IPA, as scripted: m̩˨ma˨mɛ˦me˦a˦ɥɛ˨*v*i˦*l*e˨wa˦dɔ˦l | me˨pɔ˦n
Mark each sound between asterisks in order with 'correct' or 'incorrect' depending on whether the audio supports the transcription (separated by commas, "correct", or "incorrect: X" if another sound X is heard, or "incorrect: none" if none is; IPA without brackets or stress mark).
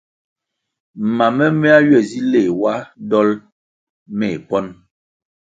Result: incorrect: z, correct